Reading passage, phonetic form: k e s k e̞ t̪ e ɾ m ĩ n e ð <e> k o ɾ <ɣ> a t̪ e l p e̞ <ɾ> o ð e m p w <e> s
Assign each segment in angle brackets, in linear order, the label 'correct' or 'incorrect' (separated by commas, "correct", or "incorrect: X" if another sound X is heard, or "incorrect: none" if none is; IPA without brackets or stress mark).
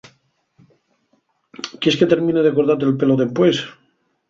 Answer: correct, incorrect: ð, incorrect: l, correct